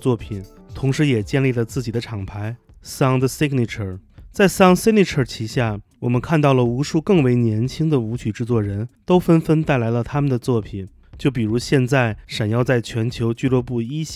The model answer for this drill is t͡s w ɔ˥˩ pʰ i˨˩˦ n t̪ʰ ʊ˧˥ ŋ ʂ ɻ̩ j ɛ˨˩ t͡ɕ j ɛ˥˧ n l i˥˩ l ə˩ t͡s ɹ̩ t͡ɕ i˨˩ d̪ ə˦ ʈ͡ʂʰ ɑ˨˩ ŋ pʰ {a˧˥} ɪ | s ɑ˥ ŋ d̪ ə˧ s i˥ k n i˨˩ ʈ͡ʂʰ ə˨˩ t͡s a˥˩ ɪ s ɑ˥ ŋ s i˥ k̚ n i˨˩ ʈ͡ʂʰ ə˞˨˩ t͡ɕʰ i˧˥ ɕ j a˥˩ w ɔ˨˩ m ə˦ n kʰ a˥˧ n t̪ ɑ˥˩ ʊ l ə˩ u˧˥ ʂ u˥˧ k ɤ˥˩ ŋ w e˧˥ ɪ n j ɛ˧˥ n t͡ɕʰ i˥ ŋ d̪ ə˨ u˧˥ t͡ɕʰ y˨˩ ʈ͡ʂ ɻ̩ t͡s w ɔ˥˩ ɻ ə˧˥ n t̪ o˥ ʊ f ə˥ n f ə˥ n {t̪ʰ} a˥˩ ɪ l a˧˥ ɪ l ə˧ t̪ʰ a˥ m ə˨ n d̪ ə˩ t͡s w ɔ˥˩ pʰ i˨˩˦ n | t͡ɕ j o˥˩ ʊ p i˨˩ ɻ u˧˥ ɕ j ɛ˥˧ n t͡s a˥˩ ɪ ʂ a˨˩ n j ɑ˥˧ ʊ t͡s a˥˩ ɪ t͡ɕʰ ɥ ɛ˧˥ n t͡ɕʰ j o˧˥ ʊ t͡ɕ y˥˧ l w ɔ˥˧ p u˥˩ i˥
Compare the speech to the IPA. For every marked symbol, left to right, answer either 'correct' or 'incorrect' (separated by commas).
correct, incorrect